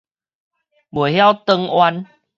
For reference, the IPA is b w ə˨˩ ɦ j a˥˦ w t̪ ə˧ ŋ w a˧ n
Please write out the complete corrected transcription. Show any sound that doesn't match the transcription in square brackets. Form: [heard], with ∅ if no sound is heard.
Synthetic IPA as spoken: b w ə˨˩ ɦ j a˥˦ w t̪ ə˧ ŋ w a˧ n